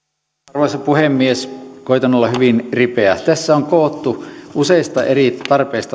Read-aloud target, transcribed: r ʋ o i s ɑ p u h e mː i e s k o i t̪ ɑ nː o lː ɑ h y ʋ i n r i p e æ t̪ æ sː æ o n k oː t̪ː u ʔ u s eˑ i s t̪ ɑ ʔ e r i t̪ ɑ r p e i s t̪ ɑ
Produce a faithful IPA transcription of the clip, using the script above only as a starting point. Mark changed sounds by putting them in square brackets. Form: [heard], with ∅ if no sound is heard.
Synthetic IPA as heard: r ʋ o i s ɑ p u h e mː i e s k o i t̪ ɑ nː o lː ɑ h y ʋ i n r i p e æ t̪ æ sː æ o [ŋ] k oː t̪ː u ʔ u s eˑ i s t̪ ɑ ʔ e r i t̪ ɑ r p e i s t̪ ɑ